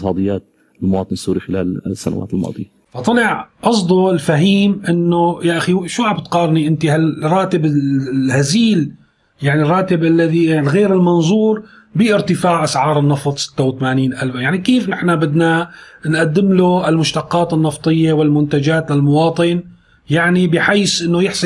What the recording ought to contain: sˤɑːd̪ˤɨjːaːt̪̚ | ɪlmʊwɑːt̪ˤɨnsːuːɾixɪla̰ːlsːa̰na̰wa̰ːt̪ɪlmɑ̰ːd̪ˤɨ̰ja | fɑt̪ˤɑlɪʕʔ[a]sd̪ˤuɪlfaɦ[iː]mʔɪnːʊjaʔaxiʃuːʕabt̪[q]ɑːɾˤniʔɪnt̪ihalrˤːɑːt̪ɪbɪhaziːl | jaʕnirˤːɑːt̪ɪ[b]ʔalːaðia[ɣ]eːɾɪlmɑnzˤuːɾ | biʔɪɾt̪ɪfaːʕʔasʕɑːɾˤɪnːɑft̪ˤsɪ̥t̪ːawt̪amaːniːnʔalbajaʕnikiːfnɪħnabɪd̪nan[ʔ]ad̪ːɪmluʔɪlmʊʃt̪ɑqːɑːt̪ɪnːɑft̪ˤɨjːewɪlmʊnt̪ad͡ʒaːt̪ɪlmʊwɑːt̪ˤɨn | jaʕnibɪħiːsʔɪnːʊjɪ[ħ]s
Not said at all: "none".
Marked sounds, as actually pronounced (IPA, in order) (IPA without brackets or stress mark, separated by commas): ɑ, iː, q, b, ɣ, ʔ, ħ